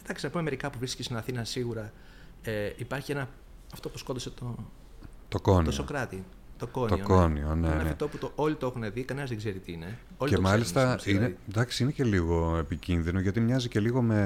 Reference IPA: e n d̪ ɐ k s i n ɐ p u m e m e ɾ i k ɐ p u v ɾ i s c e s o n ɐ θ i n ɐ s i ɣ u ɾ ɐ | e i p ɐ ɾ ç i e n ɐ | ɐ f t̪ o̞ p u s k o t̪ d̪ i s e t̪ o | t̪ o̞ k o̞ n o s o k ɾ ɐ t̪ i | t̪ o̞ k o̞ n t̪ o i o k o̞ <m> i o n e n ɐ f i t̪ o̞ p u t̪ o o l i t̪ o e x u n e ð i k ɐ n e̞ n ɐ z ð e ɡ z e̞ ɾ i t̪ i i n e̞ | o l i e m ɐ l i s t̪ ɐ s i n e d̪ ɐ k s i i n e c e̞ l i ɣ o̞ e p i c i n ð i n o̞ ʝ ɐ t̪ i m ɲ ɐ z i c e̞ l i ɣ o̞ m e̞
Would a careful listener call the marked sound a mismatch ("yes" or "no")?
yes